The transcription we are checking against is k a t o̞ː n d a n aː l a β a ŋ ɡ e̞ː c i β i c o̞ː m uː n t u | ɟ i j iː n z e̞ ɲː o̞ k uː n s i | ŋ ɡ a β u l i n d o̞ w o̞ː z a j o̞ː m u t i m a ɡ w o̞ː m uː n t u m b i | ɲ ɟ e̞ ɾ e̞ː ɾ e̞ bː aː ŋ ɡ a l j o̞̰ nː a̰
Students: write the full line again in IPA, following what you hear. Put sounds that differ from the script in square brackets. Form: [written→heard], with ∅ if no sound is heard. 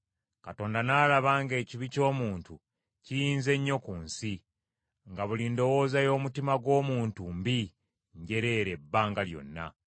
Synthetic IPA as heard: k a t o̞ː n d a n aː l a β a ŋ ɡ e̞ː c i β i c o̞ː m uː n t u | [ɟ→c] i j iː n z e̞ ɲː o̞ k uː n s i | ŋ ɡ a β u l i n d o̞ w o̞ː z a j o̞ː m u t i m a ɡ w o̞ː m uː n t u m b i | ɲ ɟ e̞ ɾ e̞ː ɾ e̞ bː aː ŋ ɡ a l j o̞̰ nː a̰